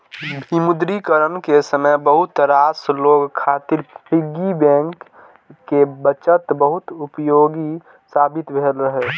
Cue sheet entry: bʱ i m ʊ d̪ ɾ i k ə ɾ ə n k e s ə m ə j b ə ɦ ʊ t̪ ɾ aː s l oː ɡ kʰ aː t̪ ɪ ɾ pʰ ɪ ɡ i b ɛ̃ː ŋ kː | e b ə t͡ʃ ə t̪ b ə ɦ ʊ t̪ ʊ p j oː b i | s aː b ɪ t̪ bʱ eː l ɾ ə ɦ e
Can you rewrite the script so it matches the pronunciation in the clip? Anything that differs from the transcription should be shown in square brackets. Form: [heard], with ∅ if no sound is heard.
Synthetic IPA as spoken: bʱ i m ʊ d̪ ɾ i k ə ɾ ə n k e s ə m ə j b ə ɦ ʊ t̪ ɾ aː s l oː ɡ kʰ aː t̪ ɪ ɾ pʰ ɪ ɡ i b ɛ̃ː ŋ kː | e b ə t͡ʃ ə t̪ b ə ɦ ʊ t̪ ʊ p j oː [ɡ] i | s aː b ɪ t̪ bʱ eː l ɾ ə ɦ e